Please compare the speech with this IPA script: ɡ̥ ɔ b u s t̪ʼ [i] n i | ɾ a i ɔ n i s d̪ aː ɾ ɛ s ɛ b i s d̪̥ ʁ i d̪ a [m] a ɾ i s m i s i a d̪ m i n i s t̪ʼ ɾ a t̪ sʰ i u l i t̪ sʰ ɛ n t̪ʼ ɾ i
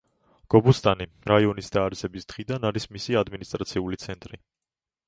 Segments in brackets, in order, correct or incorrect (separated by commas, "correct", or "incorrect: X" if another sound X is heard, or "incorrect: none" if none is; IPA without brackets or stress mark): incorrect: a, incorrect: n